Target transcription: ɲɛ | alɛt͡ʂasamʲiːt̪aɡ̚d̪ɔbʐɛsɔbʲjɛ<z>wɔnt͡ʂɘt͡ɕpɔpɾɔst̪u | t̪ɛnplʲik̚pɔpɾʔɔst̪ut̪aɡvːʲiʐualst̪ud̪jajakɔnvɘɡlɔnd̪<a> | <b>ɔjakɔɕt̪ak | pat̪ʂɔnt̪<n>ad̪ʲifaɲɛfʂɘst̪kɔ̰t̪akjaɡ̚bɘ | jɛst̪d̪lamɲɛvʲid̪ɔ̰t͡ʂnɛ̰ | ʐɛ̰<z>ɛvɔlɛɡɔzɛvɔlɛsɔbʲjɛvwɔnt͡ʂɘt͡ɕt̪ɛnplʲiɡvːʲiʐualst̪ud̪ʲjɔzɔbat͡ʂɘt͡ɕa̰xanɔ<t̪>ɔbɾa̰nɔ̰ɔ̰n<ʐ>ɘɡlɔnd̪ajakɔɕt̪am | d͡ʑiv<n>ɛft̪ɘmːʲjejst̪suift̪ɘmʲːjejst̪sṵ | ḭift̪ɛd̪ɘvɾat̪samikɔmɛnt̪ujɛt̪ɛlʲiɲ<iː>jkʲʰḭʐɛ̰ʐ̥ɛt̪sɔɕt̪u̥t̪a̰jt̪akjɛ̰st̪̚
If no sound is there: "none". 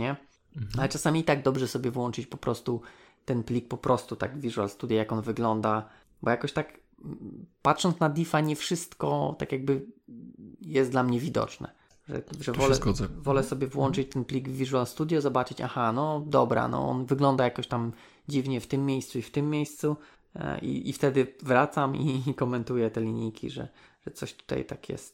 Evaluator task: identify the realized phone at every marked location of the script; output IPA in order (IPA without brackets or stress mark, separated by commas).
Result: v, a, b, n, ʐ, d̪, v, ɲ, i